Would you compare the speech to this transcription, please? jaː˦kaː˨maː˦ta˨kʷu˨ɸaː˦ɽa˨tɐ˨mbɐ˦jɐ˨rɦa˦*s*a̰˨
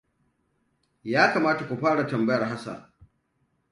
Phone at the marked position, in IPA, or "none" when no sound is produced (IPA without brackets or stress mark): s